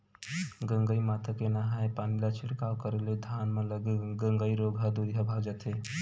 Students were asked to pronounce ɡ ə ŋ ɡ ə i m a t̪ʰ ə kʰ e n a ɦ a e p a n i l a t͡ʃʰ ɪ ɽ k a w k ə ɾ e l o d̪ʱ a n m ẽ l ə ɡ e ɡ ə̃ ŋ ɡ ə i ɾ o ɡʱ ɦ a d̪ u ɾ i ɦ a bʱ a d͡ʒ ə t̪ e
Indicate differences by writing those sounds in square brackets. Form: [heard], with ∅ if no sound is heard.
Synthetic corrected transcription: ɡ ə ŋ ɡ ə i m a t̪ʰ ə [k] e n a ɦ a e p a n i l a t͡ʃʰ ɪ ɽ k a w k ə ɾ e l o d̪ʱ a n m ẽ l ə ɡ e ɡ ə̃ ŋ ɡ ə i ɾ o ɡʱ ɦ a d̪ u ɾ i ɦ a bʱ a d͡ʒ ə t̪ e